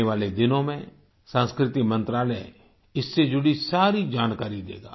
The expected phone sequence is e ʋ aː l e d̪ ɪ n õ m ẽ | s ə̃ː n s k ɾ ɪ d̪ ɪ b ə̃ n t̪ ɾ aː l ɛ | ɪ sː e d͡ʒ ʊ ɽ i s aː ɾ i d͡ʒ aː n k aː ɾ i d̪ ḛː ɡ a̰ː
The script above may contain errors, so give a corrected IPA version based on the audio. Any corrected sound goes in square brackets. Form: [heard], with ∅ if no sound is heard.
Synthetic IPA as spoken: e ʋ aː l e d̪ ɪ n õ m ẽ | s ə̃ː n s k ɾ ɪ [t̪] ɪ [m] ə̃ n t̪ ɾ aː l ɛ | ɪ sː e d͡ʒ ʊ ɽ i s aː ɾ i d͡ʒ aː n k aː ɾ i d̪ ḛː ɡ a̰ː